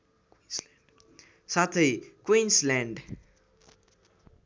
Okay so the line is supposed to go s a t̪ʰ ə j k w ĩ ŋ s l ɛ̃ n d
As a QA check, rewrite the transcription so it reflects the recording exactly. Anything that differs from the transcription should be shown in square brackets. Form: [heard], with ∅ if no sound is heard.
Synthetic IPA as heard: s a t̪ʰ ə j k w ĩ [n] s l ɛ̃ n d